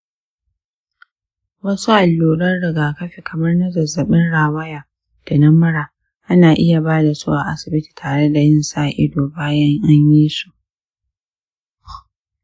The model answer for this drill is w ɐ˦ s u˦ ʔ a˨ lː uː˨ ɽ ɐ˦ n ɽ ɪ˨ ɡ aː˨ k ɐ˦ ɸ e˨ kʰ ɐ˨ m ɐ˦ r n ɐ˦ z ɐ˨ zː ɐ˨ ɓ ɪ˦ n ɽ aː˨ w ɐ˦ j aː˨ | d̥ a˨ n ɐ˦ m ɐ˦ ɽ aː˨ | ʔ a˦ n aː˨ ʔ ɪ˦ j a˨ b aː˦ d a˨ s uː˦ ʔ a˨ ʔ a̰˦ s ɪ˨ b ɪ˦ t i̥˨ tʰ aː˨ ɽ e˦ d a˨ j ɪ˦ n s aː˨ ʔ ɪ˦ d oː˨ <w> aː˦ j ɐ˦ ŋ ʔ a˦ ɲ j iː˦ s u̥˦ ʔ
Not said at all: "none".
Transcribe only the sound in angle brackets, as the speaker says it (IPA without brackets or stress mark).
b